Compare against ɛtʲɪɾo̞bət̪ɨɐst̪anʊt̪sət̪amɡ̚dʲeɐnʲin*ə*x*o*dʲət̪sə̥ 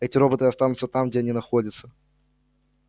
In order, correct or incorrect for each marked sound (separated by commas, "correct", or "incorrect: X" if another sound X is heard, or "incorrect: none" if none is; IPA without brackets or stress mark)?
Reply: incorrect: ɐ, correct